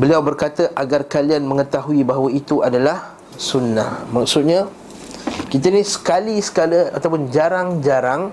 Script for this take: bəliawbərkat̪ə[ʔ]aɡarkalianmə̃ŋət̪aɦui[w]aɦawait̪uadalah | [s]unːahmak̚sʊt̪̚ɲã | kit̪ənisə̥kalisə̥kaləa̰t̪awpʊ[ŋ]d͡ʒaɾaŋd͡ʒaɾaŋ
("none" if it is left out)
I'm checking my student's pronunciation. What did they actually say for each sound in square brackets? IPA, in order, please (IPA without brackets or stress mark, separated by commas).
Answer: ʔ, b, s, n